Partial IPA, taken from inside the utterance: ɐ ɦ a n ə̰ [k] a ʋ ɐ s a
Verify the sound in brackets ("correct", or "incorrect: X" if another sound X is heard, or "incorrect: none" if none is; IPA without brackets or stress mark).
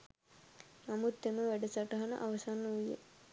incorrect: ʔ